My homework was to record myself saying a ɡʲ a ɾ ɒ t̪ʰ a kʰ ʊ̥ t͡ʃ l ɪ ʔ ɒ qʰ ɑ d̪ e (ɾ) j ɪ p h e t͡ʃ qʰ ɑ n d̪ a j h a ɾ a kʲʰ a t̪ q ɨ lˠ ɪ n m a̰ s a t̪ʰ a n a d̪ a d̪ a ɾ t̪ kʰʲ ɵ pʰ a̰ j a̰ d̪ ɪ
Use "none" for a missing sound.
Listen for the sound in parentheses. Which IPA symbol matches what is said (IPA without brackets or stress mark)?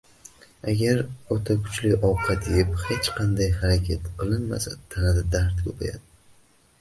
none